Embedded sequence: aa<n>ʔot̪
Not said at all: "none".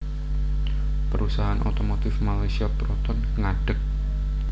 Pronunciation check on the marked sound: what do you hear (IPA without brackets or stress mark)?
n